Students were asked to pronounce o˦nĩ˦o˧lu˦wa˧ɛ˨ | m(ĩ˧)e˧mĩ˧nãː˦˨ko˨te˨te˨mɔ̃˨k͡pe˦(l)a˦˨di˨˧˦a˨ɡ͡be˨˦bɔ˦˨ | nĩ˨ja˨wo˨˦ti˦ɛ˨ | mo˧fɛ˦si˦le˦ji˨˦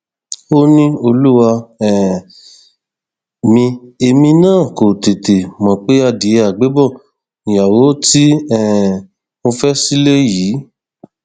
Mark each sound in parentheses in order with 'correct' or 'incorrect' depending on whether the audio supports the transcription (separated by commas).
correct, incorrect